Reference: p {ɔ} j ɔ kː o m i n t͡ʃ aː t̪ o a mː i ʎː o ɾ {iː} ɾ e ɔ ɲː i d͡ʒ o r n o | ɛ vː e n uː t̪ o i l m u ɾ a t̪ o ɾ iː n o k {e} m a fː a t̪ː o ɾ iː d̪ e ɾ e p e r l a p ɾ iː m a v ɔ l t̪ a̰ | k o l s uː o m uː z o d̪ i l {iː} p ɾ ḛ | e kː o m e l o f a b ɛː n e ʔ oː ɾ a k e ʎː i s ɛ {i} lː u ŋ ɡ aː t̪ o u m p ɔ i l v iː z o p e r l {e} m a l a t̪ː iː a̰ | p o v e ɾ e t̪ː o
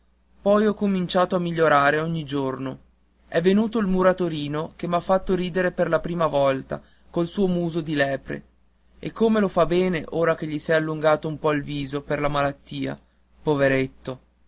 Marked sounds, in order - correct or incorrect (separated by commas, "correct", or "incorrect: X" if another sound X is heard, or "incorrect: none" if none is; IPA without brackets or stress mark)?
correct, incorrect: aː, correct, incorrect: ɛː, incorrect: a, incorrect: a